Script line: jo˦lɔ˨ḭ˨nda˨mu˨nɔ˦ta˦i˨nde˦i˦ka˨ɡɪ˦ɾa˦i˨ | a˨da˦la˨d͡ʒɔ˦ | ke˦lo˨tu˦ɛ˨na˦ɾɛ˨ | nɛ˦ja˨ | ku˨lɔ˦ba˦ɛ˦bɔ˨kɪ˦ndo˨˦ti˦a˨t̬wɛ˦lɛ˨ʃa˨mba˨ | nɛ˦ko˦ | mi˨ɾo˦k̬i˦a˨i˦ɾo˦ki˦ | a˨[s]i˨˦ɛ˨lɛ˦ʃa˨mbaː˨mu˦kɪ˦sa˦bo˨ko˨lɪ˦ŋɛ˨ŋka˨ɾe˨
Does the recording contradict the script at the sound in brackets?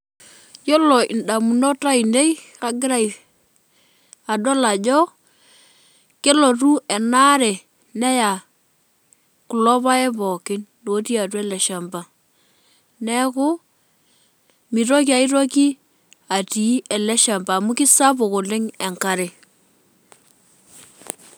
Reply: yes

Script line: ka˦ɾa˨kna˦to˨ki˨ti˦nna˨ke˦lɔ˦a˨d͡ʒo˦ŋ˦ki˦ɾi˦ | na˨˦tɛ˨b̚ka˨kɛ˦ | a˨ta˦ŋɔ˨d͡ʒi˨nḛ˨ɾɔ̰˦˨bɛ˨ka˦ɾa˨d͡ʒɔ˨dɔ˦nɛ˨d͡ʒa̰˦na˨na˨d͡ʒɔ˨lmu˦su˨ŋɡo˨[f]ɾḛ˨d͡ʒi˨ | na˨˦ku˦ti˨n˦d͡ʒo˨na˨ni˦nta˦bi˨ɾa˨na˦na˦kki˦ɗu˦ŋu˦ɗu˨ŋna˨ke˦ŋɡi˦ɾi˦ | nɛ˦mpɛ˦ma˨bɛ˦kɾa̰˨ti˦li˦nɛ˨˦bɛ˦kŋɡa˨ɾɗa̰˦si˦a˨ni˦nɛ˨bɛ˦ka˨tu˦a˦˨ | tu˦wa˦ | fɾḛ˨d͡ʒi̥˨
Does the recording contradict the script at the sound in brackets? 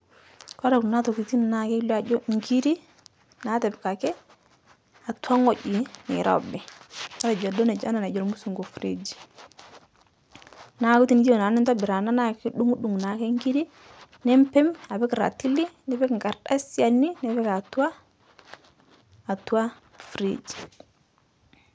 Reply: no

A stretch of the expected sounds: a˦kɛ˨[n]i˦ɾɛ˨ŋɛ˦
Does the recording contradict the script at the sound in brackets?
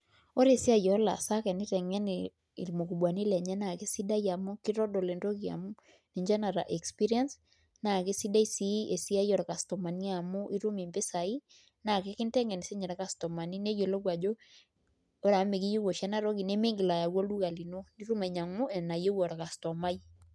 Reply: no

